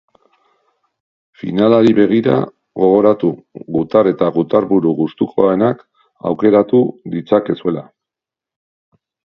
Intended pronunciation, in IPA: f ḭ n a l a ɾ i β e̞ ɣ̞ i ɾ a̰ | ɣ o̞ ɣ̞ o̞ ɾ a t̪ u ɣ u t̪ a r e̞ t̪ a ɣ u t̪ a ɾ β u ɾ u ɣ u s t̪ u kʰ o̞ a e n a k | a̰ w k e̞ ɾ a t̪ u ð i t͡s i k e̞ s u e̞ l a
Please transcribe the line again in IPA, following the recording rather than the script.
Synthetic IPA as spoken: f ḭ n a l a ɾ i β e̞ ɣ̞ i ɾ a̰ | ɣ o̞ ɣ̞ o̞ ɾ a t̪ u ɣ u t̪ a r e̞ t̪ a ɣ u t̪ a ɾ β u ɾ u ɣ u s t̪ u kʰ o̞ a e n a k | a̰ w k e̞ ɾ a t̪ u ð i t͡s a k e̞ s u e̞ l a